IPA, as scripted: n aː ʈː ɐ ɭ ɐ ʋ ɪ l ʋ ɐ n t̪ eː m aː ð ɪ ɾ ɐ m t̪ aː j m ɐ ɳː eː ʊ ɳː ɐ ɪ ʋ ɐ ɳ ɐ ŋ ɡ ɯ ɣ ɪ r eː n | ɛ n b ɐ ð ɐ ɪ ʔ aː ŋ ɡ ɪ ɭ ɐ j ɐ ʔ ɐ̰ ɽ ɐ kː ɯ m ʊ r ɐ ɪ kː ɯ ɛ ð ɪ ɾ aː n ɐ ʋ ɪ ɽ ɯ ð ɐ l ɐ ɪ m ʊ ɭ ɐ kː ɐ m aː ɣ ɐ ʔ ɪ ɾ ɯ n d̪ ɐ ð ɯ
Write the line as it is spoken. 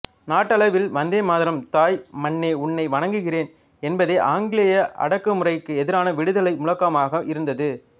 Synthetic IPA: n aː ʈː ɐ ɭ ɐ ʋ ɪ l ʋ ɐ n d̪ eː m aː ð ɪ ɾ ɐ m t̪ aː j m ɐ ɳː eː ʊ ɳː ɐ ɪ ʋ ɐ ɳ ɐ ŋ ɡ ɯ ɣ ɪ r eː n | ɛ n b ɐ ð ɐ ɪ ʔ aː ŋ ɡ ɪ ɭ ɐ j ɐ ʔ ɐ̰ ɽ ɐ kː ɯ m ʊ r ɐ ɪ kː ɯ ɛ ð ɪ ɾ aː n ɐ ʋ ɪ ɽ ɯ ð ɐ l ɐ ɪ m ʊ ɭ ɐ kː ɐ m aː ɣ ɐ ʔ ɪ ɾ ɯ n d̪ ɐ ð ɯ